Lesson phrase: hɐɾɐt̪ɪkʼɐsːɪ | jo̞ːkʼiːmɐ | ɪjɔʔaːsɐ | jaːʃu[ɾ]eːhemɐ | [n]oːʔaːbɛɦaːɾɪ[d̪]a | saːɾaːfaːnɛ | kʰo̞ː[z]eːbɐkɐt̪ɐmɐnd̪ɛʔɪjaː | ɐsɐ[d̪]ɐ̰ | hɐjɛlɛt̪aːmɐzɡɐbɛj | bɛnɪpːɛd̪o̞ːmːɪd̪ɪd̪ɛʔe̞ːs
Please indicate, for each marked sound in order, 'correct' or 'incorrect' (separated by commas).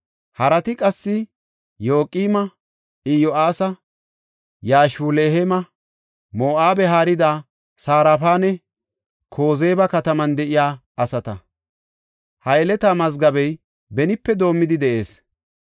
incorrect, incorrect, correct, correct, incorrect